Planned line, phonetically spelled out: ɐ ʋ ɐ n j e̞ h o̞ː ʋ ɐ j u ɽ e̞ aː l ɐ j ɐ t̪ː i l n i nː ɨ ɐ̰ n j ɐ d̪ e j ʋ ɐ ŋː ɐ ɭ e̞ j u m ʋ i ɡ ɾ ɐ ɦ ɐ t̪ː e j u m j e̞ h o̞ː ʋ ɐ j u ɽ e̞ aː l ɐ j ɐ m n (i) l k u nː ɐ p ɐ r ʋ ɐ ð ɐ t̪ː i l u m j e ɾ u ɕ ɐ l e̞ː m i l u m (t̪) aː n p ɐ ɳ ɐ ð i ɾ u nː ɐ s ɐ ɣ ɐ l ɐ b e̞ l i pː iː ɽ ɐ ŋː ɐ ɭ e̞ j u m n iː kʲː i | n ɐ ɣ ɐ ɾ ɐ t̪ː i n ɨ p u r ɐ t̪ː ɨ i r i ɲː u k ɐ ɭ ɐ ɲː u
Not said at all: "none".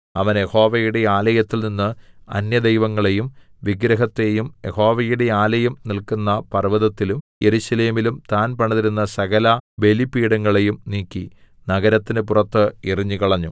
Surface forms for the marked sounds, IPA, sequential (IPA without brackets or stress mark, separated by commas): i, t̪